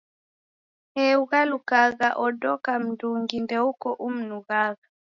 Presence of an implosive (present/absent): absent